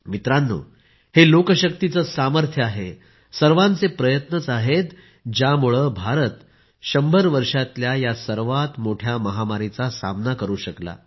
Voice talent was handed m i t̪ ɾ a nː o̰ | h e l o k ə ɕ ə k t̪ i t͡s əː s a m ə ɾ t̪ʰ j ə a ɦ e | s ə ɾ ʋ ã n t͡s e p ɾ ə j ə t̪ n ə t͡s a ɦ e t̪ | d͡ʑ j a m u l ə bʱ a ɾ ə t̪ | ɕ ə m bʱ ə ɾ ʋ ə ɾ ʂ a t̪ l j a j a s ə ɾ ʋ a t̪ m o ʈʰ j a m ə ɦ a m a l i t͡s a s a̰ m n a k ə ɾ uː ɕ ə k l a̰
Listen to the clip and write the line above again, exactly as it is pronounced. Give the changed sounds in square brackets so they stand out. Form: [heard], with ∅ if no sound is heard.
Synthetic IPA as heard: m i t̪ ɾ a nː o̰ | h e l o k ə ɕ ə k t̪ i t͡s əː s a m ə ɾ t̪ʰ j ə a ɦ e | s ə ɾ ʋ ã n t͡s e p ɾ ə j ə t̪ n ə t͡s a ɦ e t̪ | d͡ʑ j a m u [ɭ] ə bʱ a ɾ ə t̪ | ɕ ə m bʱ ə ɾ ʋ ə ɾ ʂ a t̪ l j a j a s ə ɾ ʋ a t̪ m o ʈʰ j a m ə ɦ a m a [ɾ] i t͡s a s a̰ m n a k ə ɾ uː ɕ ə k l a̰

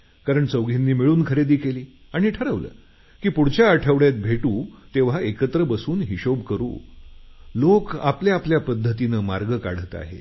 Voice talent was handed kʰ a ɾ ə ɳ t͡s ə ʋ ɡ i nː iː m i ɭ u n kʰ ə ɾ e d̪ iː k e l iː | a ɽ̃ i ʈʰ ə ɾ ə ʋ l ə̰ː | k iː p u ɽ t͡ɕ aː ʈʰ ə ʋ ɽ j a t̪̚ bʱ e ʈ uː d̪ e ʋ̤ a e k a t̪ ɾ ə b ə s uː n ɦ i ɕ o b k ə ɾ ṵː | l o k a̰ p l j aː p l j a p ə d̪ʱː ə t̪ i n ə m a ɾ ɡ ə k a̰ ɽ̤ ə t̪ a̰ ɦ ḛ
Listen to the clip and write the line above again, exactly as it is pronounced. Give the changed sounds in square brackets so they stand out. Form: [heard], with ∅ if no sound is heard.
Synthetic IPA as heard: [k] a ɾ ə ɳ t͡s ə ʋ ɡ i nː iː m i ɭ [uː] n kʰ ə ɾ e d̪ iː k e l iː | a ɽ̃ i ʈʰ ə ɾ ə ʋ l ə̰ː | k iː p u ɽ t͡ɕ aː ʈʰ ə ʋ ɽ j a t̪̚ bʱ e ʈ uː [t̪] e ʋ̤ a e k [ə] t̪ ɾ ə b ə s uː n ɦ i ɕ o b k ə ɾ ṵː | l o k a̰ p l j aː p l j a p ə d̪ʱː ə t̪ i n ə m a ɾ ɡ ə k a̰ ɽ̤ ə t̪ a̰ ɦ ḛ

